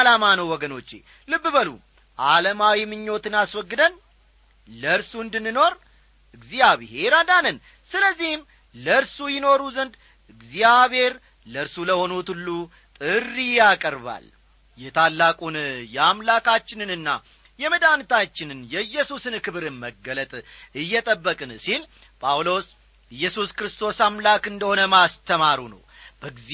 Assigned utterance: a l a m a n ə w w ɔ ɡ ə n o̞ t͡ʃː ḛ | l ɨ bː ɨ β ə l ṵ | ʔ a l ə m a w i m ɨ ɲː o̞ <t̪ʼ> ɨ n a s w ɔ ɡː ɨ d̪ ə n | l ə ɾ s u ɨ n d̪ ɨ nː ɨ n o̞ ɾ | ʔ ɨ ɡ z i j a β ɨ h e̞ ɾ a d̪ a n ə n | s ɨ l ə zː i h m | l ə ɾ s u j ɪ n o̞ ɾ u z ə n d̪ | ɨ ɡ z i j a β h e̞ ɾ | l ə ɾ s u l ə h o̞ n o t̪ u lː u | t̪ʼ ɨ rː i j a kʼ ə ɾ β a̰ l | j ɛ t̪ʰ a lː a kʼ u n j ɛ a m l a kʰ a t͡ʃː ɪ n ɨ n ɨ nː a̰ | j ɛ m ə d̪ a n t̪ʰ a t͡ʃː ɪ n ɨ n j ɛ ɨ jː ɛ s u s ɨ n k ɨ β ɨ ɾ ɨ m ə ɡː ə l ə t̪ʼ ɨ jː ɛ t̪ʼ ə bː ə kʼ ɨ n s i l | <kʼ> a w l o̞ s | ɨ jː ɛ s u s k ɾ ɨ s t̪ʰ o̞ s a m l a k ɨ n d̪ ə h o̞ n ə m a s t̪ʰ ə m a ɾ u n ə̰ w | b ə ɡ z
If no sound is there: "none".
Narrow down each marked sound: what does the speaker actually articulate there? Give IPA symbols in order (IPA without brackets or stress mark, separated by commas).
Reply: t̪, pʼ